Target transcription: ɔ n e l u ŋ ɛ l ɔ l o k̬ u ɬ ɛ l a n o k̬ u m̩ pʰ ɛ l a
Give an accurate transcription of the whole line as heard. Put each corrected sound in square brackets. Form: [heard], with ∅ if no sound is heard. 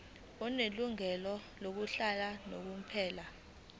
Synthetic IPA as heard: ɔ n e l u ŋ ɛ l ɔ l o k̬ u ɬ [a] l a n o k̬ u m̩ pʰ [ɛː] l a

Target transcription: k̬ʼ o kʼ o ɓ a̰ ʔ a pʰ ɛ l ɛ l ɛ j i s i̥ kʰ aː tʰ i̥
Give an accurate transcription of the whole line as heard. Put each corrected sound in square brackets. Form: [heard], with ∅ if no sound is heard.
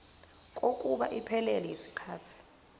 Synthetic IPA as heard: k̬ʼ o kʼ [u] ɓ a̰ ʔ [i] pʰ ɛ l ɛ l ɛ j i s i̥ kʰ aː tʰ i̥

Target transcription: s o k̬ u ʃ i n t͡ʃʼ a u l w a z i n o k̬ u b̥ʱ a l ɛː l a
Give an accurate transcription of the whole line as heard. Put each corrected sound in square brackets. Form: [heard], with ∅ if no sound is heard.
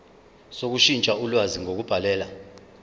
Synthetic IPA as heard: s o k̬ u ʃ i n t͡ʃʼ a u l w a z i [ŋ] o k̬ u b̥ʱ a l ɛː l a

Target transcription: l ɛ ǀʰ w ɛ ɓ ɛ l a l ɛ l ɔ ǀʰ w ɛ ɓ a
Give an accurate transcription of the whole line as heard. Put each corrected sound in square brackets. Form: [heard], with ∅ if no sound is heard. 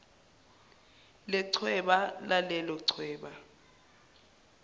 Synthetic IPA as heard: l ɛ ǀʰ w ɛ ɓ [a] l a l ɛ l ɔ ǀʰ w [ɛː] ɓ a

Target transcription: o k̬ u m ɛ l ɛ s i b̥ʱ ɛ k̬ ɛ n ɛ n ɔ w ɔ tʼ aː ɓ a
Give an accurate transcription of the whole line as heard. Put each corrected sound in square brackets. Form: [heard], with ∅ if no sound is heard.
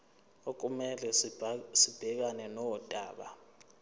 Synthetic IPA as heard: o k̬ u m ɛ l ɛ s i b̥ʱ ɛ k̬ [a] n ɛ n ɔ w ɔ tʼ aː ɓ a

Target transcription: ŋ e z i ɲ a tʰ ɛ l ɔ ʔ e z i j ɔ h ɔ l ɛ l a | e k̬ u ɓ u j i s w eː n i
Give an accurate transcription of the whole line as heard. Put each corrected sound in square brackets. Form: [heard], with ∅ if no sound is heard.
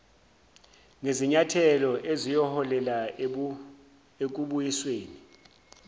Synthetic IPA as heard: ŋ e z i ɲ a tʰ ɛ l ɔ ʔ e z i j ɔ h ɔ l ɛ l a | e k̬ u ɓ u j i s w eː n i

